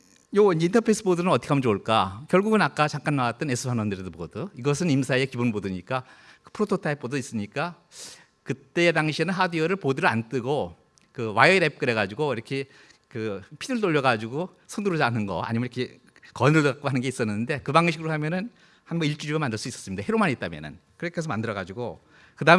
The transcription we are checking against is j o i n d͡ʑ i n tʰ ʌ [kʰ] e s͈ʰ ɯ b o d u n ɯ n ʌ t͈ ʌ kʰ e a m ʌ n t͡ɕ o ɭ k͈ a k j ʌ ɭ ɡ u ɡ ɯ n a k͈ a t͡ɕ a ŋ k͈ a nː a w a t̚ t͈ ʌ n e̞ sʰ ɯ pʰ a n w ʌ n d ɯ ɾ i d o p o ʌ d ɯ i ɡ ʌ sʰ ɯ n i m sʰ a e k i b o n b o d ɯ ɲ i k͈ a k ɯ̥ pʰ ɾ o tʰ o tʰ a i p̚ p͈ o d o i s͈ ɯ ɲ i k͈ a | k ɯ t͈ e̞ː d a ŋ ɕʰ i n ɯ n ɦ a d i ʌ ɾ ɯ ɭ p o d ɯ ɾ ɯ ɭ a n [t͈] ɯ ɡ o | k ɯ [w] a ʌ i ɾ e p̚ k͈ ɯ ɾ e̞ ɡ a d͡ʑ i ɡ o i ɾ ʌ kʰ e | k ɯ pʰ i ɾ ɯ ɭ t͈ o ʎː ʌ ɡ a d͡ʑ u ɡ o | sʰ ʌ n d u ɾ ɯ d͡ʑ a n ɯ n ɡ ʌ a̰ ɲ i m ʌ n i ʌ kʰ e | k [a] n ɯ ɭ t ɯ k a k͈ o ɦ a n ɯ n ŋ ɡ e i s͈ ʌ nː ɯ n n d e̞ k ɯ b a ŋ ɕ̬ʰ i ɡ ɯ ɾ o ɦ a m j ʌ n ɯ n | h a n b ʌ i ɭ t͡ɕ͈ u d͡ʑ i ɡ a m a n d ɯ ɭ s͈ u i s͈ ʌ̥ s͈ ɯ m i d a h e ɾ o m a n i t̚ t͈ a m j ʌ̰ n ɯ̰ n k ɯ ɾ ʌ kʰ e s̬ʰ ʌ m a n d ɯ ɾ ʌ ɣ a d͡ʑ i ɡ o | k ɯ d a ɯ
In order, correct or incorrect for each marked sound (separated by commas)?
incorrect, correct, correct, incorrect